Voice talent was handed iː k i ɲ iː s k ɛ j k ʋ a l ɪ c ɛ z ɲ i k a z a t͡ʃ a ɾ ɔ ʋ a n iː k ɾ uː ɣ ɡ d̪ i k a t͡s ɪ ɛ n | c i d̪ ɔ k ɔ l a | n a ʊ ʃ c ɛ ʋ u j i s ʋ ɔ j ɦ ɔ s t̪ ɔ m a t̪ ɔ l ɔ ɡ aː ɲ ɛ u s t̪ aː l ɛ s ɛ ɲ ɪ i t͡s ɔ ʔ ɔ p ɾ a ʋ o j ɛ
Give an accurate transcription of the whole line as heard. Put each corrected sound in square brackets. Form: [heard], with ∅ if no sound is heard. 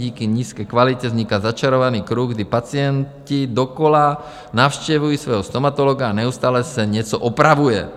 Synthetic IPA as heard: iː k i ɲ iː s k ɛ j k ʋ a l [i] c ɛ z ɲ i k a z a t͡ʃ a ɾ ɔ ʋ a n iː k ɾ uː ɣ ɡ d̪ i [p] a t͡s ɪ ɛ n | c i d̪ ɔ k ɔ l a | n a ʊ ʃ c ɛ ʋ u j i s ʋ ɔ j ɦ ɔ s t̪ ɔ m a t̪ ɔ l ɔ ɡ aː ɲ ɛ u s t̪ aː l ɛ s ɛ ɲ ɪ [ɛ] t͡s ɔ ʔ ɔ p ɾ a ʋ [u] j ɛ